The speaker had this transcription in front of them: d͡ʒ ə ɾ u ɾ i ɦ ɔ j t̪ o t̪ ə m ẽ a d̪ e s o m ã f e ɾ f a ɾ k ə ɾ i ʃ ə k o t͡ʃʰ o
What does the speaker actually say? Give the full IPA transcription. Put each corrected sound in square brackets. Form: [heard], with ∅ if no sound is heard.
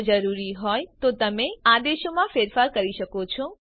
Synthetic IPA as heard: d͡ʒ ə ɾ u ɾ i ɦ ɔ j t̪ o t̪ ə m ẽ a d̪ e [ʃ] o m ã f e ɾ f a ɾ k ə ɾ i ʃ ə k o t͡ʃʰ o